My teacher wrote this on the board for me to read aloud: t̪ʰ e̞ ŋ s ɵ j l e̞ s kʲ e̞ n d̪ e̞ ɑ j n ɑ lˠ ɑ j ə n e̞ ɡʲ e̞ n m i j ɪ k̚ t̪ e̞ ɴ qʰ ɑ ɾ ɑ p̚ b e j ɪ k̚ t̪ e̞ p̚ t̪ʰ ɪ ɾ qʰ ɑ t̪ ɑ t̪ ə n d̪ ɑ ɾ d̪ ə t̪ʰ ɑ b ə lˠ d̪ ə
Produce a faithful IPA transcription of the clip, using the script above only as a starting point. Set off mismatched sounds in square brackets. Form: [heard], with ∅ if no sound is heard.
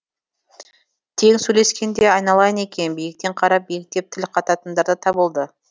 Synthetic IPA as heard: t̪ʰ e̞ ŋ s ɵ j l e̞ s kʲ e̞ n d̪ e̞ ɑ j n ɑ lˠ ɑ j ə n e̞ [kʲ] e̞ n [b] i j ɪ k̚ t̪ e̞ ɴ qʰ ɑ ɾ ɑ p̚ b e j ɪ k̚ t̪ e̞ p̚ t̪ʰ ɪ [l] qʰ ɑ t̪ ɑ t̪ ə n d̪ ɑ ɾ d̪ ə t̪ʰ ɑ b ə lˠ d̪ ə